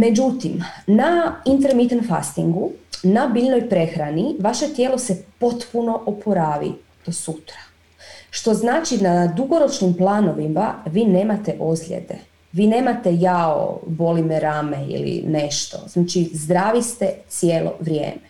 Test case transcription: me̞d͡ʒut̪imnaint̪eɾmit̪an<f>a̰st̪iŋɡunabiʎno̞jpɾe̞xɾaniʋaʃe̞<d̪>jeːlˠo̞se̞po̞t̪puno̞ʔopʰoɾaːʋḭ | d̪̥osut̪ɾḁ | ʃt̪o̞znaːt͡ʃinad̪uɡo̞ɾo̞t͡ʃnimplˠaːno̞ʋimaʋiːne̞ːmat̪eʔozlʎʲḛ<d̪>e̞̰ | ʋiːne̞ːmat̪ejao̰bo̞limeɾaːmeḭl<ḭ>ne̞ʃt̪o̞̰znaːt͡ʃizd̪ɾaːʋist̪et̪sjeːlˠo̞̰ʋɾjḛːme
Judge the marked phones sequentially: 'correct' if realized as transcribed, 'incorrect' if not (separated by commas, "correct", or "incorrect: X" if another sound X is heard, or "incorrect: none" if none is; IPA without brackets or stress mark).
correct, incorrect: t̪, correct, correct